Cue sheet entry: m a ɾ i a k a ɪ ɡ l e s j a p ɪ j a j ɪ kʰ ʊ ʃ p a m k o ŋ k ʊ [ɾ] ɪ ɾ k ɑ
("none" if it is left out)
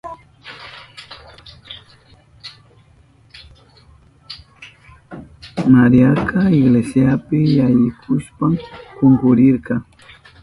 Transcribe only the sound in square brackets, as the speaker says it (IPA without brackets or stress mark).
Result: ɾ